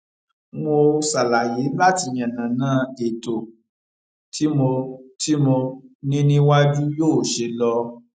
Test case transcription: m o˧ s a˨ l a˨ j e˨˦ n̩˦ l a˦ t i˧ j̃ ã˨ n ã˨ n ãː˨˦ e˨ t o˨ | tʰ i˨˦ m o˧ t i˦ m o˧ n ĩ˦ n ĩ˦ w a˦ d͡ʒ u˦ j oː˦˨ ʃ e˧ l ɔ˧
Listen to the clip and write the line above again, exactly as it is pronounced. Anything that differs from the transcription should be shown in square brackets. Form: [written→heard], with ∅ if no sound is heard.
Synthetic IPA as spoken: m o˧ s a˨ l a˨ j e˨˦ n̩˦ l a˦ t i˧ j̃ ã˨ n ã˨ n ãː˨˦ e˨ t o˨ | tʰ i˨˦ m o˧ t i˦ m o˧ n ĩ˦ n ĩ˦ w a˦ d͡ʒ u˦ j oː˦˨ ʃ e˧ l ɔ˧